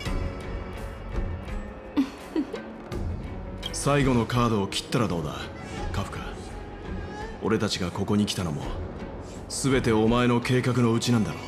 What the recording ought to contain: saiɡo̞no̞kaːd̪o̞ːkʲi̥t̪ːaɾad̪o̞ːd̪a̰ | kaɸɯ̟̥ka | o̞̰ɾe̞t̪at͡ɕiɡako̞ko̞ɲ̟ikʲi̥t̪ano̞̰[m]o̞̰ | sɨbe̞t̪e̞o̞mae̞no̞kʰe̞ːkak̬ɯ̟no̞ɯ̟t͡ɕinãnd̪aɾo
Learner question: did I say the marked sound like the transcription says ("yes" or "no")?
yes